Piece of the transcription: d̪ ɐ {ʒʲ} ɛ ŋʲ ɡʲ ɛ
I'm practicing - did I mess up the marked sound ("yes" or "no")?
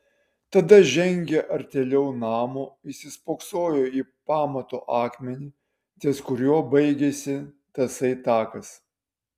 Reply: no